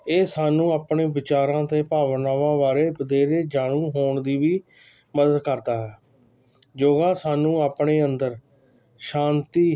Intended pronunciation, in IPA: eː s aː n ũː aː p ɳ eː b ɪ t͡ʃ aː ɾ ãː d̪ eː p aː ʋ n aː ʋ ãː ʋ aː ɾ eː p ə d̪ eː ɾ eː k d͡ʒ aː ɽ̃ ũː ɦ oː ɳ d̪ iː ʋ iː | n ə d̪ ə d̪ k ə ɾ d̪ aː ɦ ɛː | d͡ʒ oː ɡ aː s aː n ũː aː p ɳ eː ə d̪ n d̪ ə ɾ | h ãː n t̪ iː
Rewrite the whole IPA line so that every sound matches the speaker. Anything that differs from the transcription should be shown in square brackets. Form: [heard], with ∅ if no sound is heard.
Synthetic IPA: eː s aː n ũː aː p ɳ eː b ɪ t͡ʃ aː ɾ ãː [t̪] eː p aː ʋ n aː ʋ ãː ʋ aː ɾ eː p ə d̪ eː ɾ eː [∅] d͡ʒ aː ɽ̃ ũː ɦ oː ɳ d̪ iː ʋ iː | [m] ə d̪ ə d̪ k ə ɾ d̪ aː ɦ ɛː | d͡ʒ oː ɡ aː s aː n ũː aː p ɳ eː ə [∅] n d̪ ə ɾ | [ʃ] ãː n t̪ iː